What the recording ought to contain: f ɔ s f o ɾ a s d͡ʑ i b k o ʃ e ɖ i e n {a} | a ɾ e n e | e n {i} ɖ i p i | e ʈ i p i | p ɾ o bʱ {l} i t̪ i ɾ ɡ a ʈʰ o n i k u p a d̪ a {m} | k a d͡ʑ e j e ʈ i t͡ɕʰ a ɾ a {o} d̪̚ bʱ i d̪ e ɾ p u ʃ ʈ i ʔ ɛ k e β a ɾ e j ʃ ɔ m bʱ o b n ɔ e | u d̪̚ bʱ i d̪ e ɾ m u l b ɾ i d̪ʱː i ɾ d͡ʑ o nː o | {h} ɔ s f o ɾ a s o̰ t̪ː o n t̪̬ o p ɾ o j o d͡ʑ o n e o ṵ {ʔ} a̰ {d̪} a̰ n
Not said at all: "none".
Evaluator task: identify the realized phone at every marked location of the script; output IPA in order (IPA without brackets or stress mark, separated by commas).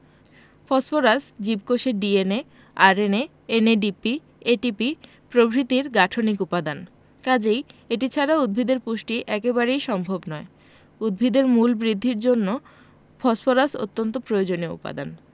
e, e, ɾ, n, u, f, p, d̪